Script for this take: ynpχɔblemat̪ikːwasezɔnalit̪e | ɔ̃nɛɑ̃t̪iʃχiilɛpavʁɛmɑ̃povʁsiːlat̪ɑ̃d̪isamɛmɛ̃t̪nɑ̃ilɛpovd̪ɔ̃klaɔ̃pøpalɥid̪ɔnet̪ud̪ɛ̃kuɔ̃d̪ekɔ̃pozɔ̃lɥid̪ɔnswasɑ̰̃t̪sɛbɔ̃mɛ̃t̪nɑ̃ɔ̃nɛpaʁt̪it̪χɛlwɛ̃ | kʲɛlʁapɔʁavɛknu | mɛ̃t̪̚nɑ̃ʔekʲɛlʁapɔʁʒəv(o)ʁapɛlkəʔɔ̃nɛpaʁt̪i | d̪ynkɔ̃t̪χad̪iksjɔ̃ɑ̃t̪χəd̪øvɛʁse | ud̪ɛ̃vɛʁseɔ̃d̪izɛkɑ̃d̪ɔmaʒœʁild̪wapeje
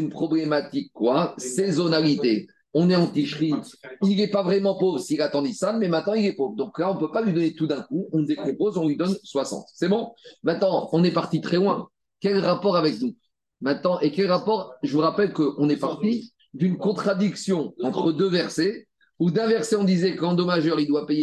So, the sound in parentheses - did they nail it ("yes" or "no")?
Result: no